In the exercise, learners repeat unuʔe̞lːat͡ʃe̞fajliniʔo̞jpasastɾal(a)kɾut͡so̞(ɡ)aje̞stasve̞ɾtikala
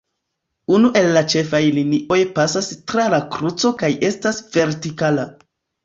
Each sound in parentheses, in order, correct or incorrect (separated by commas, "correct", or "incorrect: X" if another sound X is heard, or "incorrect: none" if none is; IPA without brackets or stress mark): correct, incorrect: k